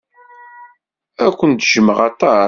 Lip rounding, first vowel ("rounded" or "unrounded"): unrounded